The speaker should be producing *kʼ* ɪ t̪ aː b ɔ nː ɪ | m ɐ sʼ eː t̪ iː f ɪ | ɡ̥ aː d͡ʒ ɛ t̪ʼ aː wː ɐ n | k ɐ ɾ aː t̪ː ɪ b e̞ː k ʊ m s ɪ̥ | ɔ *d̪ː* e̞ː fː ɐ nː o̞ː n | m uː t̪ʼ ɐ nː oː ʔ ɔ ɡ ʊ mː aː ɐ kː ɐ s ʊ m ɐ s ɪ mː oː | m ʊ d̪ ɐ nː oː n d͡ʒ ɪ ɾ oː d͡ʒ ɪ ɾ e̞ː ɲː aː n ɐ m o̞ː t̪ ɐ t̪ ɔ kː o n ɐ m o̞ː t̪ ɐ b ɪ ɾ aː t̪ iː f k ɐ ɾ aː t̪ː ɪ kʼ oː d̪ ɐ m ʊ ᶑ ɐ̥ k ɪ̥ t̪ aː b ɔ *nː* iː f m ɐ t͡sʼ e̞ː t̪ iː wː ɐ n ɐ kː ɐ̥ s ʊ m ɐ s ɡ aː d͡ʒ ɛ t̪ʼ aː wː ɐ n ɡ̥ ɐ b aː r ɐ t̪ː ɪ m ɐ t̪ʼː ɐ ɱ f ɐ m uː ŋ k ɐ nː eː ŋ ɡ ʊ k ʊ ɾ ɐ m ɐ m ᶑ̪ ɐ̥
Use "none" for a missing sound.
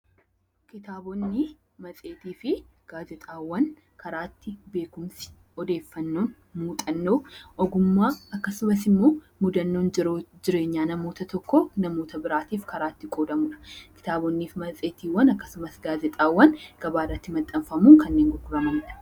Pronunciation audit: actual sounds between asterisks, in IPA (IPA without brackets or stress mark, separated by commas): k, d̪, nː